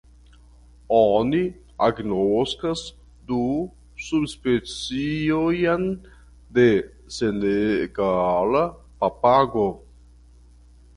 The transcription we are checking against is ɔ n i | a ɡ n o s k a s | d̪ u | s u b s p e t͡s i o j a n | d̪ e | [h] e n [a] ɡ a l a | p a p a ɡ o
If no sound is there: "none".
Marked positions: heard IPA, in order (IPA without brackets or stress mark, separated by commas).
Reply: s, e